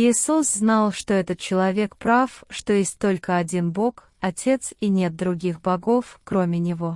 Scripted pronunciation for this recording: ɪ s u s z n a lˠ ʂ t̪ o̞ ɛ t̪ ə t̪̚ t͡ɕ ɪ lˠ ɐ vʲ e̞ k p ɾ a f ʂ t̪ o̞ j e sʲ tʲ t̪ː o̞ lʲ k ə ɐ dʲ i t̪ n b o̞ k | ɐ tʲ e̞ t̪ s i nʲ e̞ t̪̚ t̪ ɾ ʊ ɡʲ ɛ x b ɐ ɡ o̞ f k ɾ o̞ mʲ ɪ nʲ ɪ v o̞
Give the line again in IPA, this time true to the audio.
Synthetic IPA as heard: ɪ s u s z n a lˠ ʂ t̪ o̞ ɛ t̪ ə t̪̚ t͡ɕ ɪ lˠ ɐ vʲ e̞ k p ɾ a f ʂ t̪ o̞ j e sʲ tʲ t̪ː o̞ lʲ k ə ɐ dʲ i n b o̞ k | ɐ tʲ e̞ t̪ s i nʲ e̞ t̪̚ d̪ ɾ ʊ ɡʲ i x b ɐ ɡ o̞ f k ɾ o̞ mʲ ɪ nʲ ɪ v o̞